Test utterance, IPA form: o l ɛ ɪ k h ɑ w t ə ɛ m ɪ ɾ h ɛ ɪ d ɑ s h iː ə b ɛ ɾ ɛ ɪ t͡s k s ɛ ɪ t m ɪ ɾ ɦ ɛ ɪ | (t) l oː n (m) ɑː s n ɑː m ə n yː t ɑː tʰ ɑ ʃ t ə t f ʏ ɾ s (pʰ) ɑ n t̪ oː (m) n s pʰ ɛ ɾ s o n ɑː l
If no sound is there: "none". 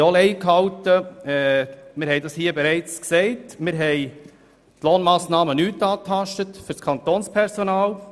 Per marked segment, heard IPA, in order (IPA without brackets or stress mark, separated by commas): t, m, kʰ, none